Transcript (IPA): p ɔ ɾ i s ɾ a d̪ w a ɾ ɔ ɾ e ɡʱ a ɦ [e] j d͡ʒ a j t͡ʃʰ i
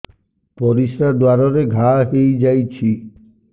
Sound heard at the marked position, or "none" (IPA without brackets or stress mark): e